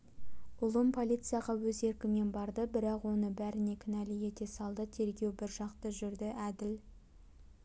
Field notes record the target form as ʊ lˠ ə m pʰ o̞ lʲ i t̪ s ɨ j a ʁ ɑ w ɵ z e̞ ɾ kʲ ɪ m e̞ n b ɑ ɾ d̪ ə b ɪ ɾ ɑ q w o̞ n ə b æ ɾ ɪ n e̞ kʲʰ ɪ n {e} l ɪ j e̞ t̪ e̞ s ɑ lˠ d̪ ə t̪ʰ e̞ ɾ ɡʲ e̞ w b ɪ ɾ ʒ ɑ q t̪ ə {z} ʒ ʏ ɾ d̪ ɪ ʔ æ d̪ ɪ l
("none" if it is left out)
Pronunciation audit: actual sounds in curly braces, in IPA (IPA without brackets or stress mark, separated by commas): æ, none